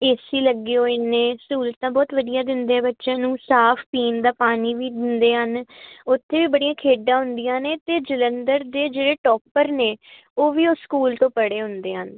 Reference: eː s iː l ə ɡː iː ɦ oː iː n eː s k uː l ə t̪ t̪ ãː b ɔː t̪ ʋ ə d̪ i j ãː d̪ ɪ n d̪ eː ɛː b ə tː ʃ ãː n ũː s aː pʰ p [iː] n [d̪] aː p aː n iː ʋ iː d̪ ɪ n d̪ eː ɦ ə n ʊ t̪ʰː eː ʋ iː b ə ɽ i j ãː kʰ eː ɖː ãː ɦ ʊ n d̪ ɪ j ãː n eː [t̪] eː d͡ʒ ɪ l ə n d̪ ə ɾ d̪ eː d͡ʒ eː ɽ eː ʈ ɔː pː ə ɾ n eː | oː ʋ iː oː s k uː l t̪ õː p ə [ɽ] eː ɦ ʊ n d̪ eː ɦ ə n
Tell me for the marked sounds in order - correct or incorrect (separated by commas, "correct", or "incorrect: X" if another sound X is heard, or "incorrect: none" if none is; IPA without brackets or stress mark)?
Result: correct, correct, correct, correct